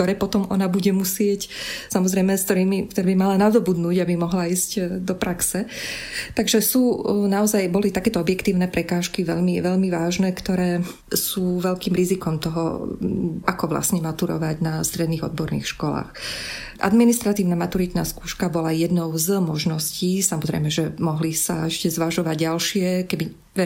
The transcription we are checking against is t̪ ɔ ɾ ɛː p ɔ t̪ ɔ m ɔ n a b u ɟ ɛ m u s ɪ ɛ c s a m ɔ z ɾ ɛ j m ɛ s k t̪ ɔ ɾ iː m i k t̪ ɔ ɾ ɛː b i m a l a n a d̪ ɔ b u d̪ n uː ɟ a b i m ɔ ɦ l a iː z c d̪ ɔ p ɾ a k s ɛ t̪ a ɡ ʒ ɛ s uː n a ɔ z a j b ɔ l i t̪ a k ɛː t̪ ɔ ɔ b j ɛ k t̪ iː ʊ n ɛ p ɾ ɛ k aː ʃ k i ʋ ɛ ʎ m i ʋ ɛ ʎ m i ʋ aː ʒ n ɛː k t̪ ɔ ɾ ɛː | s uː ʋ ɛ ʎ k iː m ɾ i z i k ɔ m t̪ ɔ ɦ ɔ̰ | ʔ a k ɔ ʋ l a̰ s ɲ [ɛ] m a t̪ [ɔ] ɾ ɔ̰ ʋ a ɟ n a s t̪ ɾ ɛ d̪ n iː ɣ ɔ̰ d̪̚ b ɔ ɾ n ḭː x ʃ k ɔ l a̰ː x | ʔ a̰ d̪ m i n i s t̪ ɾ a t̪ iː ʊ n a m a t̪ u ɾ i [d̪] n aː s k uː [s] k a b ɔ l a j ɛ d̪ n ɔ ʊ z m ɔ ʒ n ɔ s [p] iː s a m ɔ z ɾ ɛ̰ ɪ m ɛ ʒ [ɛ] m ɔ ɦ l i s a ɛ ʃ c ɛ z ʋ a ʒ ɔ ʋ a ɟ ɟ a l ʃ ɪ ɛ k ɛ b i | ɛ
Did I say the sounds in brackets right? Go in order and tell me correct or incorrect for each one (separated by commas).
correct, incorrect, incorrect, incorrect, incorrect, correct